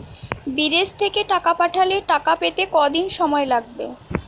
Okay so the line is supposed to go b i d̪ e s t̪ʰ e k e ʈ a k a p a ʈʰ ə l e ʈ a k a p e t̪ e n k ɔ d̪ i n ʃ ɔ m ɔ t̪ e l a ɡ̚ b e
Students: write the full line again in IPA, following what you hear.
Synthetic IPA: b i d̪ e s t̪ʰ e k e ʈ a k a p a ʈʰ a l e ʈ a k a p e t̪ e k ɔ d̪ i n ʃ ɔ m ɔ e l a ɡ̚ b e